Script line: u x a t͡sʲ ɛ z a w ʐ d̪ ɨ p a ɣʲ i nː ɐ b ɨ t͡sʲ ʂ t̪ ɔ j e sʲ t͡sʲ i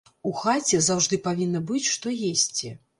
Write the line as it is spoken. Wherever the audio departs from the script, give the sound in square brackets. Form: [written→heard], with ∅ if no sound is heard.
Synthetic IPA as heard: u x a t͡sʲ ɛ z a w ʐ d̪ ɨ p a [ɣʲ→vʲ] i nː ɐ b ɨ t͡sʲ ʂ t̪ ɔ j e sʲ t͡sʲ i